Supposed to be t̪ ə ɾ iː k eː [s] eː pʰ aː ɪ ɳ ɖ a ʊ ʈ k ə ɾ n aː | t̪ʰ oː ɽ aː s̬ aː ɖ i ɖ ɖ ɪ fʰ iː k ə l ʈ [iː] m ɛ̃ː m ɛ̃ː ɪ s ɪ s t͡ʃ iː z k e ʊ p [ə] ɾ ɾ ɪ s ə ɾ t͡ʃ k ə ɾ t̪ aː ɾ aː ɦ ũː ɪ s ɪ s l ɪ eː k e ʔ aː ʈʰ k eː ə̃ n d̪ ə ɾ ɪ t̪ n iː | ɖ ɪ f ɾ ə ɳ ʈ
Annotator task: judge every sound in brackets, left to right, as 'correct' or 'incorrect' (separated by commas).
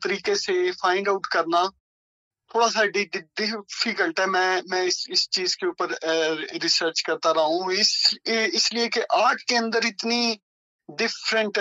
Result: correct, incorrect, correct